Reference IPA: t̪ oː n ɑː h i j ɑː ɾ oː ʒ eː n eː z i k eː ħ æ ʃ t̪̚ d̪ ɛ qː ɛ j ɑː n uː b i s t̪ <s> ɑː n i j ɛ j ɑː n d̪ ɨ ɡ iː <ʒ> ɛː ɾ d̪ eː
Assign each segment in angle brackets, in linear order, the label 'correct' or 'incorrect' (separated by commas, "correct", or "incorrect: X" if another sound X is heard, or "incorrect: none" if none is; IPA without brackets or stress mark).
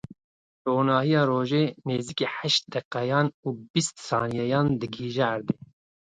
correct, correct